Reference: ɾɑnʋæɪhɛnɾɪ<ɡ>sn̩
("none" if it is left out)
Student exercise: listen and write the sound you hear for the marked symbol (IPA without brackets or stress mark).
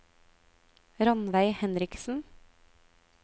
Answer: k